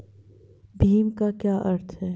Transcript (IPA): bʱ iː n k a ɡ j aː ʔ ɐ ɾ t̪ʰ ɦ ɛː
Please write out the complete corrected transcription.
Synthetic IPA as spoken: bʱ iː m k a k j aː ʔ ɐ ɾ t̪ʰ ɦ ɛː